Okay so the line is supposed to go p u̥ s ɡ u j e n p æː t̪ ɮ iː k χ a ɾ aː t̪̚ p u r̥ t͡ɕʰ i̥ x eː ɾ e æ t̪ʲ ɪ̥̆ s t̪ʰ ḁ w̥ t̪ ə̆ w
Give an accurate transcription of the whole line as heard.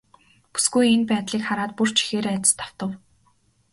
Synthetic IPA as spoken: p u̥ s ɡ u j e n p æː t̪ ɮ iː k χ a ɾ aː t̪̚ p u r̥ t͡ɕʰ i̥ x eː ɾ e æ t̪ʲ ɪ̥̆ s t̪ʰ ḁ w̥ t̪ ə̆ w